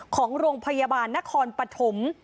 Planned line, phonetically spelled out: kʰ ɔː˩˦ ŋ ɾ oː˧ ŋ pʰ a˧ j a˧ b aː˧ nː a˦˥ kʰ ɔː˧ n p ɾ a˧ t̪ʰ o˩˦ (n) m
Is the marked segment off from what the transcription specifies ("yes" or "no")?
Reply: yes